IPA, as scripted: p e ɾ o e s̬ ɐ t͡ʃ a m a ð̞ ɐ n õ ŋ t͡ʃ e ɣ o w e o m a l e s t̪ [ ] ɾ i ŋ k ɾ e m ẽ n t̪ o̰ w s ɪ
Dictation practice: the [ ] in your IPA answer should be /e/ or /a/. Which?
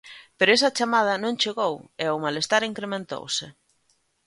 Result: a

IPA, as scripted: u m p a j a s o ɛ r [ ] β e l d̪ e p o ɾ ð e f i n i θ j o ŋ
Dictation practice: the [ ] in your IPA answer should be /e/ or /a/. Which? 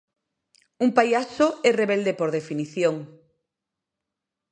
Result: e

